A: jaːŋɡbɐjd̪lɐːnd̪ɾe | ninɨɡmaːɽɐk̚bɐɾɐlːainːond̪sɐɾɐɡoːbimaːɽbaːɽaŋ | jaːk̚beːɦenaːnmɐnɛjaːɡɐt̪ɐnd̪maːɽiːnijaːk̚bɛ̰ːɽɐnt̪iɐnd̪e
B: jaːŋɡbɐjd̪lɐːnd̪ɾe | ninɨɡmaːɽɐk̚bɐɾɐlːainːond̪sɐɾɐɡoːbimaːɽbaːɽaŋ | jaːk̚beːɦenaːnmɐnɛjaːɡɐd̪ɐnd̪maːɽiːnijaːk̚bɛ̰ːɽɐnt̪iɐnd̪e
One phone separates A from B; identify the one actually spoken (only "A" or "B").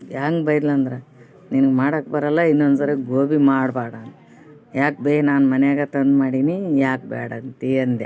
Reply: A